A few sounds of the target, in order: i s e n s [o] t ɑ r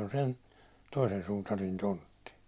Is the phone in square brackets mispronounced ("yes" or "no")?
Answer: yes